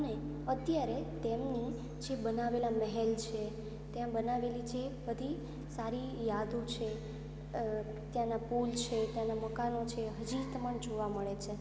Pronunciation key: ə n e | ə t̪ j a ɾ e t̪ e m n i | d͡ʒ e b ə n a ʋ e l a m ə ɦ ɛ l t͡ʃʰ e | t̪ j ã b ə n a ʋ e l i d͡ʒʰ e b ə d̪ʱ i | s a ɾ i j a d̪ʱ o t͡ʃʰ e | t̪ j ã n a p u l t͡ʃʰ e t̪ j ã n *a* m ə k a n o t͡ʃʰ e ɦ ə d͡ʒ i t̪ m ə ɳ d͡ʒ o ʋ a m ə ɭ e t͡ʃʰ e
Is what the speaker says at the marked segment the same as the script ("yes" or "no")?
yes